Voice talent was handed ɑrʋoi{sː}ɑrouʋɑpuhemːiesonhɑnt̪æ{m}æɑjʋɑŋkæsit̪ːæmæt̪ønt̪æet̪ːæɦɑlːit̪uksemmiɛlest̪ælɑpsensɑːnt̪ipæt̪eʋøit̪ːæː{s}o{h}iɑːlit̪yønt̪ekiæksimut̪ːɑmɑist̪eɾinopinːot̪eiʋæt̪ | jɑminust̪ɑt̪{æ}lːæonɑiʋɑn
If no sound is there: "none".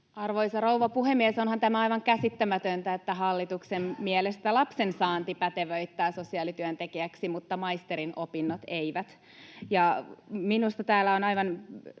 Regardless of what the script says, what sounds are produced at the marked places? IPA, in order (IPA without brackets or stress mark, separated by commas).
s, m, s, s, æː